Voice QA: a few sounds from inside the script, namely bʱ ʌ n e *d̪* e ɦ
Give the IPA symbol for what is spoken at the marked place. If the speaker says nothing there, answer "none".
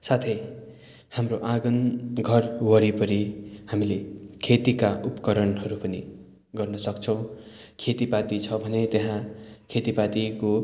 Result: t̪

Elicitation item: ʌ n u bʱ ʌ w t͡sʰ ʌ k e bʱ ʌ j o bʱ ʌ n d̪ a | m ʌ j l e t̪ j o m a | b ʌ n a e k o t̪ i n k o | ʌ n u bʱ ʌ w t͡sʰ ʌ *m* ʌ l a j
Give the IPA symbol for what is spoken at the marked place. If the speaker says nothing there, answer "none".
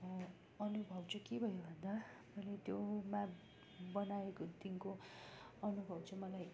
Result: m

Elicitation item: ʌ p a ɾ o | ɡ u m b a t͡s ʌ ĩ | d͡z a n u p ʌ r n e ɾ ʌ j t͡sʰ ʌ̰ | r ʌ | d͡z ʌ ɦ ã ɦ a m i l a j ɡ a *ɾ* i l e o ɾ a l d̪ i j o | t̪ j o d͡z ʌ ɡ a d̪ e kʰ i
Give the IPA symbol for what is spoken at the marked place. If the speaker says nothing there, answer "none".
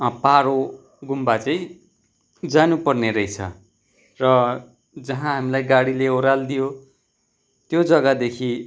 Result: ɽ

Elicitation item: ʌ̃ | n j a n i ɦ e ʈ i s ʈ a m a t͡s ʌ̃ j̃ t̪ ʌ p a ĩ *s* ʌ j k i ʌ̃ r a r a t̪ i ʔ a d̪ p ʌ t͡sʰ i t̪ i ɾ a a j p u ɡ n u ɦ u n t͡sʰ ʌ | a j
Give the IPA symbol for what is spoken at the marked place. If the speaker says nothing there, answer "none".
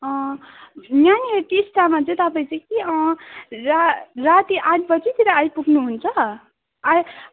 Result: t͡s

